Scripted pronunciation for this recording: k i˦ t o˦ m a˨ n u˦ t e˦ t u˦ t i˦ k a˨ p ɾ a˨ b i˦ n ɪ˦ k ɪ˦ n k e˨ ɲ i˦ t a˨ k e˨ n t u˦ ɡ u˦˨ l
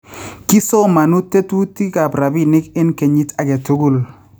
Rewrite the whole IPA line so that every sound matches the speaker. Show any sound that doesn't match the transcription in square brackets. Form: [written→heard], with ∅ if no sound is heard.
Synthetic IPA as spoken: k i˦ [t→s] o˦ m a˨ n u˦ t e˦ t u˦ t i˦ k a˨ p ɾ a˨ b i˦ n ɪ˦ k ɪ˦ n k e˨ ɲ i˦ t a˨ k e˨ [n→∅] t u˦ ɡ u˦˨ l